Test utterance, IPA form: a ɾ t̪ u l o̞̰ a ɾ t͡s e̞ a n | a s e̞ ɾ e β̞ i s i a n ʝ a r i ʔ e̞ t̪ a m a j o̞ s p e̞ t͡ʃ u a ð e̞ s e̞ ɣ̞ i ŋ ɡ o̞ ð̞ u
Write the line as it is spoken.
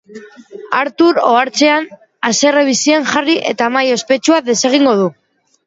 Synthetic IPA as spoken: a ɾ t̪ u ɾ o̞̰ a ɾ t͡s e̞ a n | a s e̞ r e β̞ i s i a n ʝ a r i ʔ e̞ t̪ a m a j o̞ s p e̞ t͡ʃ u a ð e̞ s e̞ ɣ̞ i ŋ ɡ o̞ ð̞ u